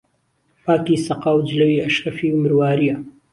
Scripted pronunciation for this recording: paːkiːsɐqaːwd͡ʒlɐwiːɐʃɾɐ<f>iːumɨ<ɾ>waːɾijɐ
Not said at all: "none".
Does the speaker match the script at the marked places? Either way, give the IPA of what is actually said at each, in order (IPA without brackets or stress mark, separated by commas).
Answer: f, ɾ